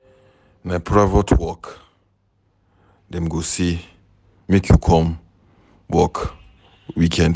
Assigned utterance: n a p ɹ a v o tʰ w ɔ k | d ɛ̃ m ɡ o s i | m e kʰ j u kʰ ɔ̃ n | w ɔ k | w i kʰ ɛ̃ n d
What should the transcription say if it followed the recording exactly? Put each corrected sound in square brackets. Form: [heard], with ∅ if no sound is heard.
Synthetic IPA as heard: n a p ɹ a v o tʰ w ɔ k | d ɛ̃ m ɡ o s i | m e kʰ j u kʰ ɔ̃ [m] | w ɔ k | w i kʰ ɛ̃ n d